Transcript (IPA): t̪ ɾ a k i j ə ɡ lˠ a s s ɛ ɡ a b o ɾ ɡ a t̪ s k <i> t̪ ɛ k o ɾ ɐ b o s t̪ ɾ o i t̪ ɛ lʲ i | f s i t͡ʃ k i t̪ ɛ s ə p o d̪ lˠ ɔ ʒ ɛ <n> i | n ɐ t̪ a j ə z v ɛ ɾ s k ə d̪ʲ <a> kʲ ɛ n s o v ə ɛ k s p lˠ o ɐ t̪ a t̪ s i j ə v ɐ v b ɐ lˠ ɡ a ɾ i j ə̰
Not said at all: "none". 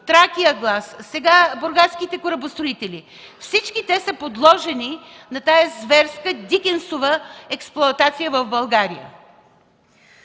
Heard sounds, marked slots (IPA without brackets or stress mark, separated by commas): i, n, i